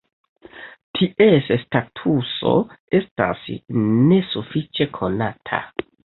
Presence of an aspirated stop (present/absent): present